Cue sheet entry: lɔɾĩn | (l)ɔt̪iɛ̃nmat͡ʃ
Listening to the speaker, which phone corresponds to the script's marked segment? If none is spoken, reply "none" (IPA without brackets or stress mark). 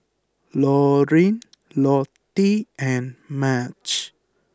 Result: l